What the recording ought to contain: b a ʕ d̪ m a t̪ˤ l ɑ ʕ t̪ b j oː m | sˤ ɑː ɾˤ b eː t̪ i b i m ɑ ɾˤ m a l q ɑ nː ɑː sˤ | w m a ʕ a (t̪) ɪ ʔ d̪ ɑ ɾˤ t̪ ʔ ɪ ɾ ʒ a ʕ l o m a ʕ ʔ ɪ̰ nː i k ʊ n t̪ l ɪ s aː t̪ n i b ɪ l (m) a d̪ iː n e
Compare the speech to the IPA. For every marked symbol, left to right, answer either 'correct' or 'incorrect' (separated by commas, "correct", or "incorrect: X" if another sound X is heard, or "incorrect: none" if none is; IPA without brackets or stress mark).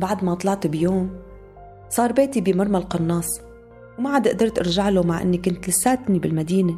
incorrect: d̪, correct